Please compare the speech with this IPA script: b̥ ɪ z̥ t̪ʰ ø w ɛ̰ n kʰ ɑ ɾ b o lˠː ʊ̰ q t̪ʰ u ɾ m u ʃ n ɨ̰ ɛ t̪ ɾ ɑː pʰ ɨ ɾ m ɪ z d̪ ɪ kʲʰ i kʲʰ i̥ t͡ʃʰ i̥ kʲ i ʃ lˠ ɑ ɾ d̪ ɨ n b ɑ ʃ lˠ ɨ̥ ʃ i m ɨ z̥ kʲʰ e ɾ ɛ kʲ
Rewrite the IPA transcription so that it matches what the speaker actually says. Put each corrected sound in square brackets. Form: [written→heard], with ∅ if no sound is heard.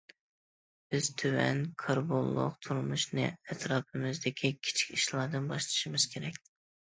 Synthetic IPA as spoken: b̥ ɪ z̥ t̪ʰ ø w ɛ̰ n kʰ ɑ ɾ b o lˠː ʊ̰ q t̪ʰ u ɾ m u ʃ n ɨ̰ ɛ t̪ ɾ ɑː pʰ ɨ [ɾ→∅] m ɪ z d̪ ɪ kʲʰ i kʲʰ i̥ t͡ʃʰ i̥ kʲ i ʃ lˠ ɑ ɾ d̪ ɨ n b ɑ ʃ lˠ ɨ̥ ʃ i m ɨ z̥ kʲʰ e ɾ ɛ kʲ